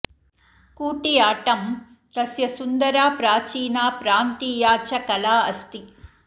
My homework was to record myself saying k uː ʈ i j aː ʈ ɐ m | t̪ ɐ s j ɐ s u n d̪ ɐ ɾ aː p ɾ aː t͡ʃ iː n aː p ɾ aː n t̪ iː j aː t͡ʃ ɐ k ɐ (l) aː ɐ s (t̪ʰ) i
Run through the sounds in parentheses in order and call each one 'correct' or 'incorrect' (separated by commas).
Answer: correct, incorrect